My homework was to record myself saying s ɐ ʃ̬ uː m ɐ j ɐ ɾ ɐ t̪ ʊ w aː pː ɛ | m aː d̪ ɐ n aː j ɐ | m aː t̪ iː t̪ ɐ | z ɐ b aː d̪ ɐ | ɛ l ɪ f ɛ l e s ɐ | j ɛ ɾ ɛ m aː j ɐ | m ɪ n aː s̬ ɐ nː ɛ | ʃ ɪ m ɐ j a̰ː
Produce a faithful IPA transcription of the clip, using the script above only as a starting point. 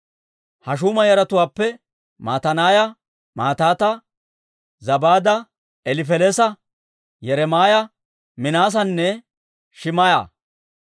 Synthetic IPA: h ɐ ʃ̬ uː m ɐ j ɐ ɾ ɐ t̪ ʊ w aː pː ɛ | m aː t̪ ɐ n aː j ɐ | m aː t̪ aː t̪ ɐ | z ɐ b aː d̪ ɐ | ɛ l ɪ f ɛ l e s ɐ | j ɛ ɾ ɛ m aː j ɐ | m ɪ n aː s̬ ɐ nː ɛ | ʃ ɪ m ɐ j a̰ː